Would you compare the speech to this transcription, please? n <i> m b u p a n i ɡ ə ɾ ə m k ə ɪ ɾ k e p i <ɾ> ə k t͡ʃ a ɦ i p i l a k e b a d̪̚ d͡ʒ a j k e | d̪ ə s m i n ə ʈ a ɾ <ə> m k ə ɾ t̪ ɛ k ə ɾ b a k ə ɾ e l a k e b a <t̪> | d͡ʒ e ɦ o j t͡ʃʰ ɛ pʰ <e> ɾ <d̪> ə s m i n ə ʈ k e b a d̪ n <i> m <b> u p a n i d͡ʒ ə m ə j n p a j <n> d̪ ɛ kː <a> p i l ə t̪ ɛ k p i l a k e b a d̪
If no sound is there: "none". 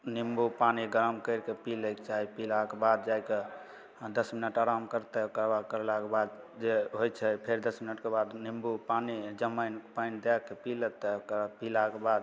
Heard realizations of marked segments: i, l, a, d̪, e, d̪, i, b, n, e

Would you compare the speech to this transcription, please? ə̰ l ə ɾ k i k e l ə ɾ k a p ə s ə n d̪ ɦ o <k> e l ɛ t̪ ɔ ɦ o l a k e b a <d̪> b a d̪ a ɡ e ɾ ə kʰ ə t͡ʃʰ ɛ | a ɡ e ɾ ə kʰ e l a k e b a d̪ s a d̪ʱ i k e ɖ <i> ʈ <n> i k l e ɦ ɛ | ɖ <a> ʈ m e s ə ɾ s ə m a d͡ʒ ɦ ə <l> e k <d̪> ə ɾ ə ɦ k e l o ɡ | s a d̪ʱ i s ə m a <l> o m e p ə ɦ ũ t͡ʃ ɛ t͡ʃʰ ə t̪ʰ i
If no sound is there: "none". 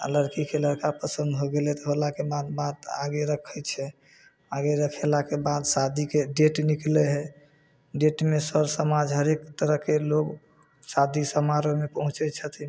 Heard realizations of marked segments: ɡ, d̪, e, n, e, ɾ, t̪, ɾ

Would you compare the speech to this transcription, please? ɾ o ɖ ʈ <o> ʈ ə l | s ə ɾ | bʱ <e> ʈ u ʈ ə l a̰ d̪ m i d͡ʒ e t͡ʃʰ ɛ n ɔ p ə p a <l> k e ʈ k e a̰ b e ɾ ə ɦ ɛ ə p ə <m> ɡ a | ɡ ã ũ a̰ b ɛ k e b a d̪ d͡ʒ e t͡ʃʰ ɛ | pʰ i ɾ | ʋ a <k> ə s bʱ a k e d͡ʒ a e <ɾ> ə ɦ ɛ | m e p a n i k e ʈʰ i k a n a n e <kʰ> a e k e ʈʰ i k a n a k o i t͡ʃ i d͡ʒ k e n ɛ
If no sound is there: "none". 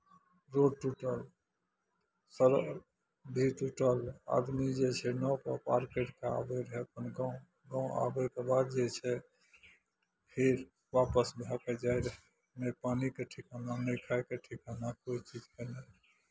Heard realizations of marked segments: u, i, ɾ, n, p, ɾ, kʰ

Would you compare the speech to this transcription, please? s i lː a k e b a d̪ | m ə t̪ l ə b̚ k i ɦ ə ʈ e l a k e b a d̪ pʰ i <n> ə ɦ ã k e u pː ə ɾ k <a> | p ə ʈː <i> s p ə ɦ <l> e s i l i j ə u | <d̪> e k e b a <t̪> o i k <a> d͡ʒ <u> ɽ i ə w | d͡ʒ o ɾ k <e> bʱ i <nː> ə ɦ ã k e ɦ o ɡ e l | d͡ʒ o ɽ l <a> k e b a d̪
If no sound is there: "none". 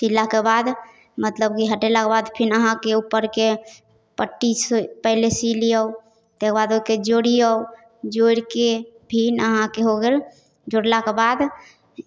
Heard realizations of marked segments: n, e, i, l, t̪, d̪, e, o, e, n, a

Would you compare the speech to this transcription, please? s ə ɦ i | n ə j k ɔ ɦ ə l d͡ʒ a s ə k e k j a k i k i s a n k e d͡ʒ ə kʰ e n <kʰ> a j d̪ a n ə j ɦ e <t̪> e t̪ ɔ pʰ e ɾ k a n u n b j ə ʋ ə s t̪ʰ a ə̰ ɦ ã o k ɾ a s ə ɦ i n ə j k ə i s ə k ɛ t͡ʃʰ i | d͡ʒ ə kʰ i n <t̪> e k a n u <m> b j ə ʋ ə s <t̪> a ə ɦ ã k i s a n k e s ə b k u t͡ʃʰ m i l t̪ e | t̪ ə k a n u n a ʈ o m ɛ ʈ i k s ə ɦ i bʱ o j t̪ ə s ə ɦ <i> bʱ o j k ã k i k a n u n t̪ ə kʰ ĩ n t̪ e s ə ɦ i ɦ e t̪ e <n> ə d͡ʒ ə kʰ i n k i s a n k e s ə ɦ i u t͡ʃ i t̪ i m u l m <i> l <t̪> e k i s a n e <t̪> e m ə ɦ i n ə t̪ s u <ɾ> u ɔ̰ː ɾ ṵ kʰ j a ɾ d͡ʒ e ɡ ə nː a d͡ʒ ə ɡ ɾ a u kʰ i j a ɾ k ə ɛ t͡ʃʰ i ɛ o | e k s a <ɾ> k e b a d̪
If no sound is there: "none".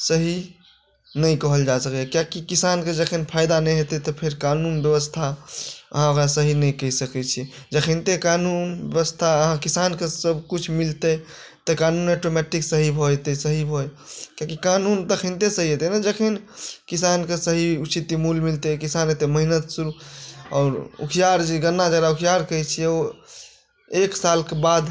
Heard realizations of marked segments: pʰ, t̪, t̪, n, t̪ʰ, i, n, i, t̪, t̪, ɾ, l

